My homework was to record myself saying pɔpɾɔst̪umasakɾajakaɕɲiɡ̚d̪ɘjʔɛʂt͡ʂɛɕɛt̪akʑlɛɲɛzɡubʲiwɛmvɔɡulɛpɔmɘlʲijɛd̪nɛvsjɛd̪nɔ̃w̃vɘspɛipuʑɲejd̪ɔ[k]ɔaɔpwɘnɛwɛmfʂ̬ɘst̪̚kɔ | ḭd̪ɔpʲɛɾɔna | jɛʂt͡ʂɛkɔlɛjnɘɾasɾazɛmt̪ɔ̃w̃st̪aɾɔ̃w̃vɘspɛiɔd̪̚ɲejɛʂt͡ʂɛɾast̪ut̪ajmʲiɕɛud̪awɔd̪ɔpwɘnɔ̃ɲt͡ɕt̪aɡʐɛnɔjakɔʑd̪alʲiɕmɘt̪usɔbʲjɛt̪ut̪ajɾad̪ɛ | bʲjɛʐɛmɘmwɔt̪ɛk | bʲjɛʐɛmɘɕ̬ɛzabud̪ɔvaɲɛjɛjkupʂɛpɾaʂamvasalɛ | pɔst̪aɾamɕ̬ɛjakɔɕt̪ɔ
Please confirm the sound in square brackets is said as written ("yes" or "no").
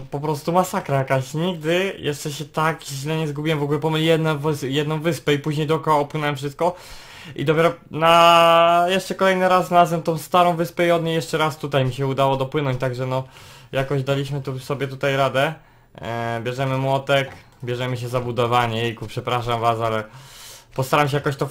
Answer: yes